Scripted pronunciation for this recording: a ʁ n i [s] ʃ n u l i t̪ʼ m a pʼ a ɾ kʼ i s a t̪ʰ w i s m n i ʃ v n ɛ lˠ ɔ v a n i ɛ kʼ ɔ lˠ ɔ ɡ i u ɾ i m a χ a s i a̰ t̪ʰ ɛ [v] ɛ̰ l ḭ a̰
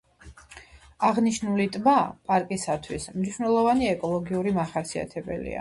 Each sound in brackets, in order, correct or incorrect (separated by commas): incorrect, incorrect